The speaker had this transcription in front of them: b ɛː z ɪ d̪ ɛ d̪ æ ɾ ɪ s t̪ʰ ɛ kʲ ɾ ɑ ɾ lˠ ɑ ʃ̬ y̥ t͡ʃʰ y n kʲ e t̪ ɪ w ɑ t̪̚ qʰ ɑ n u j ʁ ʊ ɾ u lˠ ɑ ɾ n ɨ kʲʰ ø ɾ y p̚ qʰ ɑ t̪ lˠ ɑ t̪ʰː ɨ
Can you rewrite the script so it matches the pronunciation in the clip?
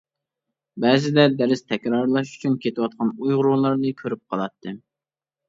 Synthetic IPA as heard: b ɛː z ɪ d̪ ɛ d̪ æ ɾ ɪ s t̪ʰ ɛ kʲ ɾ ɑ ɾ lˠ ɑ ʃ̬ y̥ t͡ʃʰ y n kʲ e t̪ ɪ w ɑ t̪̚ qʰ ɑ n u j ʁ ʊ ɾ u lˠ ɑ ɾ n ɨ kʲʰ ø ɾ y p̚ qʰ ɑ lˠ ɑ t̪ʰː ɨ